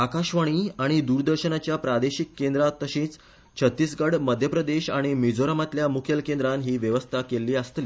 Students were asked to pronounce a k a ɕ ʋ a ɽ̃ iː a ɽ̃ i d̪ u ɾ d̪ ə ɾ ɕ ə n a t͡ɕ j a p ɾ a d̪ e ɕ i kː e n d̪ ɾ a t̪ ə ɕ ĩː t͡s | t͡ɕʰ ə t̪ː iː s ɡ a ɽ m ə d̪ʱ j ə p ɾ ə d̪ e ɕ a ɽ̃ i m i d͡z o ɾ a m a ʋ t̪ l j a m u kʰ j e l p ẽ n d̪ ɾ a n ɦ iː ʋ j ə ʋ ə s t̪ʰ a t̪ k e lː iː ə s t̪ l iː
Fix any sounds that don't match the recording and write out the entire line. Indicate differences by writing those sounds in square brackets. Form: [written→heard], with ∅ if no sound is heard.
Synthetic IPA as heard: a k a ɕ ʋ a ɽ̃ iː a ɽ̃ i d̪ u ɾ d̪ ə ɾ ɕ ə n a t͡ɕ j a p ɾ a d̪ e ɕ i kː e n d̪ ɾ a t̪ ə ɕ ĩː t͡s | t͡ɕʰ ə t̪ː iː s ɡ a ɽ m ə d̪ʱ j ə p ɾ ə d̪ e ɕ a ɽ̃ i m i d͡z o ɾ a m a [ʋ→∅] t̪ l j a m u kʰ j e l [p→k] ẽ n d̪ ɾ a n ɦ iː ʋ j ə ʋ ə s t̪ʰ a [t̪→∅] k e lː iː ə s t̪ l iː